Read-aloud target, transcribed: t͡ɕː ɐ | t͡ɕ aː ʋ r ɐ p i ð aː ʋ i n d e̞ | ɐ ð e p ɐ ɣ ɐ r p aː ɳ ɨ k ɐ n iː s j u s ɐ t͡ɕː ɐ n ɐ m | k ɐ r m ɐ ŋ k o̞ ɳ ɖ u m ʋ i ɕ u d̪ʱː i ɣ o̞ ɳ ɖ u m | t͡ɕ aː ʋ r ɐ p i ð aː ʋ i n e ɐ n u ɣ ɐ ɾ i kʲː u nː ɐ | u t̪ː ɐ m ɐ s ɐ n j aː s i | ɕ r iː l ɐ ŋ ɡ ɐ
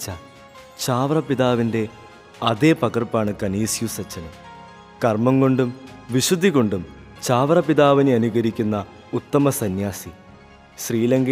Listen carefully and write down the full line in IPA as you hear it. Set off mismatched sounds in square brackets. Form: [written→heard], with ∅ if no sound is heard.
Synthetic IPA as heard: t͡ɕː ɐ | t͡ɕ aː ʋ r ɐ p i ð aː ʋ i n d e̞ | ɐ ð e p ɐ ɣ ɐ r p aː ɳ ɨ k ɐ n iː s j u s ɐ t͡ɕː ɐ n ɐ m | k ɐ r m ɐ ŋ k o̞ ɳ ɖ u m ʋ i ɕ u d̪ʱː i ɣ o̞ ɳ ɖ u m | t͡ɕ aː ʋ r ɐ p i ð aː ʋ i n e ɐ n u ɣ ɐ ɾ i kʲː u nː ɐ | u t̪ː ɐ m ɐ s ɐ n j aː s i | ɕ r iː l ɐ ŋ ɡ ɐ